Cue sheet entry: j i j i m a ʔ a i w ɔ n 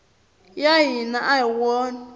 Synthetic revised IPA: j a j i n a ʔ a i w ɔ n